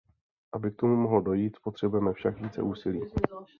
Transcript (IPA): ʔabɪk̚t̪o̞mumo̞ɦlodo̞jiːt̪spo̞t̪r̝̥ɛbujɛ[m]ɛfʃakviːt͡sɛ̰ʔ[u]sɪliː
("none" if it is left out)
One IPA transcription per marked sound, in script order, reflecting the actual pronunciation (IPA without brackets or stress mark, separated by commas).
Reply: m, uː